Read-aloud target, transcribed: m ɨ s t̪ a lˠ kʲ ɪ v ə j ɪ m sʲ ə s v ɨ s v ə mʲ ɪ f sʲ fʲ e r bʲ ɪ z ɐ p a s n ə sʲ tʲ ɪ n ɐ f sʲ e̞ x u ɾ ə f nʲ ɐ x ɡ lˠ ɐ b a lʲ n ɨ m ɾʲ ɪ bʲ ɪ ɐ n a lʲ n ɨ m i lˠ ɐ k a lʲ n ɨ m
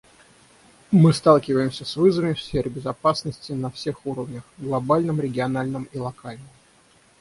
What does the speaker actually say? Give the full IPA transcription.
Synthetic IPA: m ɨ s t̪ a lˠ kʲ ɪ v ə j ɪ m sʲ ə s v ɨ z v ə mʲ ɪ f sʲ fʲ e r bʲ ɪ z ɐ p a s n ə sʲ tʲ ɪ n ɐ f sʲ e̞ x u ɾ ə v nʲ ə x ɡ lˠ ɐ b a lʲ n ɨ m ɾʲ ɪ ɡʲ ɪ ɐ n a lʲ n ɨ m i lˠ ɐ k a lʲ n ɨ m

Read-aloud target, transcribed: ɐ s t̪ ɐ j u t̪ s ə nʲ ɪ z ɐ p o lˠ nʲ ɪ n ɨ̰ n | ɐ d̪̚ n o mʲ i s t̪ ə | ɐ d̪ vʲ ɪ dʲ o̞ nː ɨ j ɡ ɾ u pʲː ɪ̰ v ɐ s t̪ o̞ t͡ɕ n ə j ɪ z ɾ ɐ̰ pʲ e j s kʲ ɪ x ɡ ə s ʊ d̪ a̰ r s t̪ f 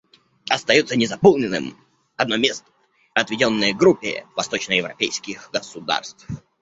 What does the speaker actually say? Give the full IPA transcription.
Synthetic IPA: ɐ s t̪ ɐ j u t̪ s ə nʲ ɪ z ɐ p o lˠ nʲ ɪ n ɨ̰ m | ɐ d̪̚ n o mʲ e s t̪ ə | ɐ t̪ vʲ ɪ dʲ o̞ nː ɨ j ɡ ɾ u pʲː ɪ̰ v ɐ s t̪ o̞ t͡ɕ n ə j ɪ v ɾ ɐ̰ pʲ e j s kʲ ɪ x ɡ ə s ʊ d̪ a̰ r s t̪ f

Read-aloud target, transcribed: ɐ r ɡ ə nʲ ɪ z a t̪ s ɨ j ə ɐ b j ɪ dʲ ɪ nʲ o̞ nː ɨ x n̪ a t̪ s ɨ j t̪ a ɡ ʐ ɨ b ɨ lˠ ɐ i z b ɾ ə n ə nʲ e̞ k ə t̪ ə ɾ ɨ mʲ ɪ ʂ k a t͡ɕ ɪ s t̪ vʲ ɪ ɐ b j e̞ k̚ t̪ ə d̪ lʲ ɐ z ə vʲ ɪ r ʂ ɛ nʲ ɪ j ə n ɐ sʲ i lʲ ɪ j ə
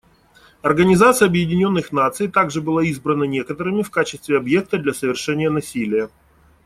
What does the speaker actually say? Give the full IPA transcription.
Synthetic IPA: ɐ r ɡ ə nʲ ɪ z a t̪ s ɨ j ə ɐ b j ɪ dʲ ɪ nʲ o̞ nː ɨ x n̪ a t̪ s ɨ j t̪ a ɡ ʐ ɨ b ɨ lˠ a i z b ɾ ə n ə nʲ e̞ k ə t̪ ə ɾ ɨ mʲ ɪ f k a t͡ɕ ɪ s t̪ vʲ ɪ ɐ b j e̞ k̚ t̪ ə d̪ lʲ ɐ s ə vʲ ɪ r ʂ ɛ nʲ ɪ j ə n ɐ sʲ i lʲ ɪ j ə

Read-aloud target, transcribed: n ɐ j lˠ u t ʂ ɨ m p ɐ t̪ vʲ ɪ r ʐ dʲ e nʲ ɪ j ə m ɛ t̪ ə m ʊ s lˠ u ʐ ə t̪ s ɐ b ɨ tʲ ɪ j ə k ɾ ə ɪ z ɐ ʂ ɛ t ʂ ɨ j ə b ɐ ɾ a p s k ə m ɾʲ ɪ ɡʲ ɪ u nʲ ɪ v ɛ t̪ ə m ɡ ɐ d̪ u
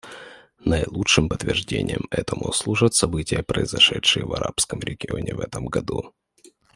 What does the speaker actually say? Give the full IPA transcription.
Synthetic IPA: n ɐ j lˠ u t ʂ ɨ m p ə t̪ vʲ ɪ r ʐ dʲ e nʲ ɪ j ə m ɛ t̪ ə m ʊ s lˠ u ʐ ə t̪ s ɐ b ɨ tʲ ɪ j ə p ɾ ə ɪ z ɐ ʂ ɛ t ʂ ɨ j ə v ɐ ɾ a p s k ə m ɾʲ ɪ ɡʲ ɪ o nʲ ɪ v ɛ t̪ ə m ɡ ɐ d̪ u

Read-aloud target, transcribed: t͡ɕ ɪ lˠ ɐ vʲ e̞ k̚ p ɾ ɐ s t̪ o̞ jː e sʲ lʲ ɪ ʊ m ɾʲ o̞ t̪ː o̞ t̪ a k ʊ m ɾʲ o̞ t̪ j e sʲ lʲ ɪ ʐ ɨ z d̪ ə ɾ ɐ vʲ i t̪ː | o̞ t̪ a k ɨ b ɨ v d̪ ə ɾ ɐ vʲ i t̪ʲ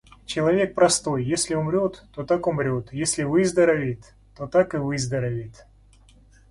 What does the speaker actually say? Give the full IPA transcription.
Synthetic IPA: t͡ɕ ɪ lˠ ɐ vʲ e̞ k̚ p ɾ ɐ s t̪ o̞ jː e sʲ lʲ ɪ ʊ m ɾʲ o̞ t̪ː o̞ t̪ a k ʊ m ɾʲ o̞ t̪ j e sʲ lʲ ɪ v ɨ z d̪ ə ɾ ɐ vʲ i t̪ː | o̞ t̪ a k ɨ v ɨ z d̪ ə ɾ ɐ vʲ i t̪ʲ

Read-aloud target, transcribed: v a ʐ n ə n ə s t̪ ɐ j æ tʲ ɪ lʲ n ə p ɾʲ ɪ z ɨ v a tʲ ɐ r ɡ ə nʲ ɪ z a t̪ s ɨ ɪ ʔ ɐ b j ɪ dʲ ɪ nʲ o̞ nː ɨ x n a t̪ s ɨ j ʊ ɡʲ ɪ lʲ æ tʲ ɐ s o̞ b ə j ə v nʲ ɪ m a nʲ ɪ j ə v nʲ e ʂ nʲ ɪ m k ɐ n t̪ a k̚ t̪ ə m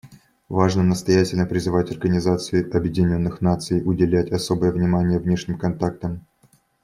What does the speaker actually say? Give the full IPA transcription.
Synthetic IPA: v a ʐ n ə n ə s t̪ ɐ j æ tʲ ɪ lʲ n ə p ɾʲ ɪ z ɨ v a tʲ ɐ r ɡ ə nʲ ɪ z a t̪ s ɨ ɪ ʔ ɐ b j ɪ dʲ ɪ nʲ o̞ nː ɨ x n a t̪ s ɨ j ʊ dʲ ɪ lʲ æ tʲ ɐ s o̞ b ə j ə v nʲ ɪ m a nʲ ɪ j ə v nʲ e ʂ nʲ ɪ m k ɐ n t̪ a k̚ t̪ ə m

